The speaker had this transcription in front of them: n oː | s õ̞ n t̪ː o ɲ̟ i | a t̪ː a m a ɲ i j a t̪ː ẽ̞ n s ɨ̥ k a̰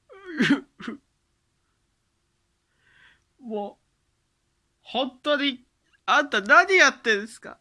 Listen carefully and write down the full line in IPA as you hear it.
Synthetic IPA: m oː | h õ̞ n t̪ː o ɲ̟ i | a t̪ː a n a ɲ i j a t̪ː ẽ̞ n s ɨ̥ k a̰